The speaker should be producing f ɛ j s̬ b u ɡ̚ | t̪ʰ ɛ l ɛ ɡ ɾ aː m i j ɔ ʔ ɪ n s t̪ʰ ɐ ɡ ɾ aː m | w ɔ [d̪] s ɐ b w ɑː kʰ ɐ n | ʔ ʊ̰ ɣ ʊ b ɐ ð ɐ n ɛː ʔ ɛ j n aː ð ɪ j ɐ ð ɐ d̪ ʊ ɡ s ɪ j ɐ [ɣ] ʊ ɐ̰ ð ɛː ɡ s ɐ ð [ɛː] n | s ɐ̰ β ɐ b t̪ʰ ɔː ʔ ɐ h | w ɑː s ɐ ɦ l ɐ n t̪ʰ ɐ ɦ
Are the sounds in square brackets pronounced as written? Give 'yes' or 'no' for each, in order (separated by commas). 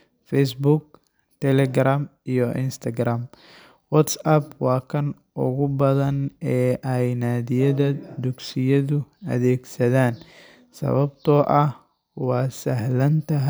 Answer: no, no, no